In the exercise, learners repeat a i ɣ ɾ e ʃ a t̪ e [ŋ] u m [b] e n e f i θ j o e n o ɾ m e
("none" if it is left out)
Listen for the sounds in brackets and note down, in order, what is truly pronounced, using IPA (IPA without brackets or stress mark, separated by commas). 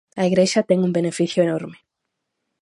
ŋ, b